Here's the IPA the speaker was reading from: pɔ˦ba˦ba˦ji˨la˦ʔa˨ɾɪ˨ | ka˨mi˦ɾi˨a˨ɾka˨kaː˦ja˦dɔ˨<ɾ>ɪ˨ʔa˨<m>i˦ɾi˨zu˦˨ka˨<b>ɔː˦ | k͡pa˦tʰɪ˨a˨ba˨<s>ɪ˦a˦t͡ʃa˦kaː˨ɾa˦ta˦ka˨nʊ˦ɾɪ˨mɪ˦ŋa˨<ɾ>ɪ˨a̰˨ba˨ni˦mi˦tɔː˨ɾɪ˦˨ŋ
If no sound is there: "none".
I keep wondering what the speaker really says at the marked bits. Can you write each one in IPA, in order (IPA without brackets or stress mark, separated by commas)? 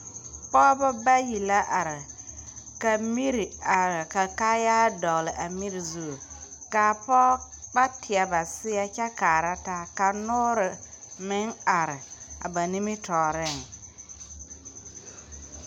l, m, p, s, ɾ